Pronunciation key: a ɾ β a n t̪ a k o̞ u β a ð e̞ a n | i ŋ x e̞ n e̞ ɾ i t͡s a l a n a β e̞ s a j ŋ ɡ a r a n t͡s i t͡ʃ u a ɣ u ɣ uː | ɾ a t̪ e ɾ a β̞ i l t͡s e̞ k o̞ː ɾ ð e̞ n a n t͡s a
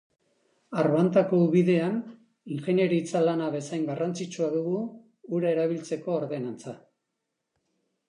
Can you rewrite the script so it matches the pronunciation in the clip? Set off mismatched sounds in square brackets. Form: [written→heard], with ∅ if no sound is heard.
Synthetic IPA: a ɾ β a n t̪ a k o̞ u β [a→i] ð e̞ a n | i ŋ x e̞ n e̞ ɾ i t͡s a l a n a β e̞ s a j ŋ ɡ a r a n t͡s i t͡ʃ u a [ɣ→ð] u ɣ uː | ɾ a [t̪→∅] e ɾ a β̞ i l t͡s e̞ k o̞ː ɾ ð e̞ n a n t͡s a